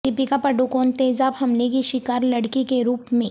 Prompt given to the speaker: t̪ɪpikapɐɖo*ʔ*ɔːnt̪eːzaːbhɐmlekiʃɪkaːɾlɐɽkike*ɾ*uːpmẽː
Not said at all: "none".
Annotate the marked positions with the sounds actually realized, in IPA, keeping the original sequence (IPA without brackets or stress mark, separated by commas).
k, ɾ